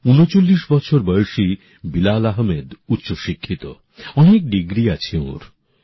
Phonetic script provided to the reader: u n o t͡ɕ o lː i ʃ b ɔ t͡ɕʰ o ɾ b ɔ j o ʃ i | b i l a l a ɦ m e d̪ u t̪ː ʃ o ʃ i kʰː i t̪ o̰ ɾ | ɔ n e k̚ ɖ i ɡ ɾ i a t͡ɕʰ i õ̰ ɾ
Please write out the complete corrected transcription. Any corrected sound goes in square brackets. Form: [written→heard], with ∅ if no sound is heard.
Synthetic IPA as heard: u n o t͡ɕ o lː i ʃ b ɔ t͡ɕʰ o ɾ b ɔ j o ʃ i | b i l a l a ɦ m e d̪ u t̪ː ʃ o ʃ i kʰː i t̪ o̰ [ɾ→∅] | ɔ n e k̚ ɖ i ɡ ɾ i a t͡ɕʰ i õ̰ ɾ